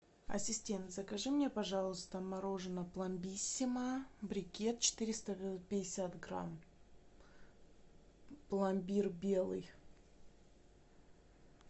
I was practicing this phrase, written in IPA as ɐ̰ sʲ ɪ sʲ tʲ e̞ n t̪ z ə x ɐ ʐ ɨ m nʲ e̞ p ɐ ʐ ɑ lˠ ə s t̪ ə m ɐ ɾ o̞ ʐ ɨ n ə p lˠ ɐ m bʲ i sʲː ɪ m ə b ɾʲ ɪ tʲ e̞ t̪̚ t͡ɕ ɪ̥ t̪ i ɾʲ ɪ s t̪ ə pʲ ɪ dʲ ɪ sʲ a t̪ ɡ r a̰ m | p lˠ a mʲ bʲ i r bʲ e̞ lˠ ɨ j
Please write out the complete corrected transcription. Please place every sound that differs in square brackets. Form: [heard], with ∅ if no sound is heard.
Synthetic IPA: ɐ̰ sʲ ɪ sʲ tʲ e̞ n t̪ z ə [k] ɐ ʐ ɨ m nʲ e̞ p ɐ ʐ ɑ lˠ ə s t̪ ə m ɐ ɾ o̞ ʐ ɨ n ə p lˠ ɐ m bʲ i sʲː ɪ m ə b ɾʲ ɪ [kʲ] e̞ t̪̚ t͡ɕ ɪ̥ t̪ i ɾʲ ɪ s t̪ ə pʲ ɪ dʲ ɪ sʲ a t̪ ɡ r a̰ m | p lˠ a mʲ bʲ i r bʲ e̞ lˠ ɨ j